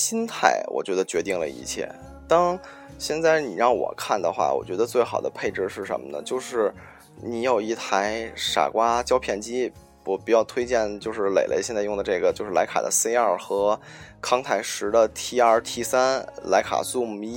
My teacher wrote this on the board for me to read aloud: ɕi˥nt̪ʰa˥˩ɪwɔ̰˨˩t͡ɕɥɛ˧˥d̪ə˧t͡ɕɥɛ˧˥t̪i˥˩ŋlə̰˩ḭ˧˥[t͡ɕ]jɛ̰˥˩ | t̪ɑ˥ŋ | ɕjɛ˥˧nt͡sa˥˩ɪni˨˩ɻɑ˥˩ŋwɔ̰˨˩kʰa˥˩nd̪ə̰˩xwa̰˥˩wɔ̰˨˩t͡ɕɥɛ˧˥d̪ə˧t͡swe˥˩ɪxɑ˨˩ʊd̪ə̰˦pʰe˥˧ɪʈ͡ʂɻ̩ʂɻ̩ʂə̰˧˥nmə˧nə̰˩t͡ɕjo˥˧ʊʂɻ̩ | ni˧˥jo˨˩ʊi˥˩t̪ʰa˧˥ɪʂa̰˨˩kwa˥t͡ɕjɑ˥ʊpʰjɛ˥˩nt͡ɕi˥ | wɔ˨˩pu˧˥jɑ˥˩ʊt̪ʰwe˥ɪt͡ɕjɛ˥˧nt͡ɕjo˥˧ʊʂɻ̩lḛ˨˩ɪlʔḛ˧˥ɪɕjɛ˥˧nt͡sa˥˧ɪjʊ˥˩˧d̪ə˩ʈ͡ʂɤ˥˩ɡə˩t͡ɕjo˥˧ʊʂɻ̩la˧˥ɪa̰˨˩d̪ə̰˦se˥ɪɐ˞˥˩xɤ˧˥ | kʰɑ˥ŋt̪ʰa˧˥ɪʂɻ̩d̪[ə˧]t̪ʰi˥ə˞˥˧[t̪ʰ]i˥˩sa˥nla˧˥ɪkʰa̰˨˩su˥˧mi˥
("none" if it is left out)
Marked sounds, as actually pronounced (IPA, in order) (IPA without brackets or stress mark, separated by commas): t͡ɕʰ, ə˧, t̪ʰ